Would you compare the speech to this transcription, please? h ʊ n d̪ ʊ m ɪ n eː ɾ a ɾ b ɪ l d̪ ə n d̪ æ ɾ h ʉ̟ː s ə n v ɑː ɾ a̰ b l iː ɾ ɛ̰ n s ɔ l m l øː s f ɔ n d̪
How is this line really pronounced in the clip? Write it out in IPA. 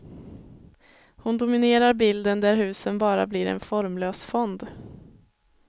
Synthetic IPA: h ʊ n d̪ ʊ m ɪ n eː ɾ a ɾ b ɪ l d̪ ə n d̪ æ ɾ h ʉ̟ː s ə n b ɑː ɾ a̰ b l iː ɾ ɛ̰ n f ɔ ɾ m l øː s f ɔ n d̪